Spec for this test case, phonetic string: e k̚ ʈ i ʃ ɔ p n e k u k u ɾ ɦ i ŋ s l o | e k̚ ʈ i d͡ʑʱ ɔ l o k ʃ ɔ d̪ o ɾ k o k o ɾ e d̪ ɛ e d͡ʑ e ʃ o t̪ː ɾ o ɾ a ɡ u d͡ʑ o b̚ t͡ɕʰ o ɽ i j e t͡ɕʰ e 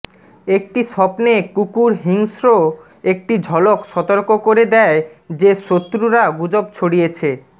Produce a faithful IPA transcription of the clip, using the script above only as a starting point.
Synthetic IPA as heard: e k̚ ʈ i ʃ ɔ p n e k u k u ɾ ɦ i ŋ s ɾ o | e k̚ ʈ i d͡ʑʱ ɔ l o k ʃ ɔ t̪ o ɾ k o k o ɾ e d̪ ɛ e d͡ʑ e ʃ o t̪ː ɾ u ɾ a ɡ u d͡ʑ o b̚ t͡ɕʰ o ɽ i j e t͡ɕʰ e